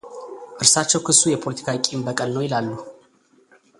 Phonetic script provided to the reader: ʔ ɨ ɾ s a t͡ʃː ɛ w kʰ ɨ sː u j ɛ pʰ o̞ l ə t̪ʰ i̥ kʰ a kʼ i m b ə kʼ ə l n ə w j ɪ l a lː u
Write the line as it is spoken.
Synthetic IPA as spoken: ʔ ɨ ɾ s a t͡ʃː ɛ w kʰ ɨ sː u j ɛ pʰ o̞ l ə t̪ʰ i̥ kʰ a kʼ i m b ə kʼ ə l n ə w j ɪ l a lː u